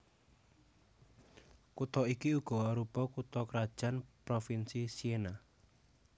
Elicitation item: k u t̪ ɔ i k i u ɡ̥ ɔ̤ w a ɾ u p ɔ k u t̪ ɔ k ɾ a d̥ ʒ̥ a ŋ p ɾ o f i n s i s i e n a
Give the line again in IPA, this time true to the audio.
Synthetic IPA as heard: k u t̪ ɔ i k i u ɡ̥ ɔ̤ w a ɾ u p ɔ k u t̪ ɔ k ɾ a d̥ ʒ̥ a n p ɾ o f i n s i s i e n a